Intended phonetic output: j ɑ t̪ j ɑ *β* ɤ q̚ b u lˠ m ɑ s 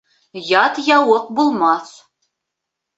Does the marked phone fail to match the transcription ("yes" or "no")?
yes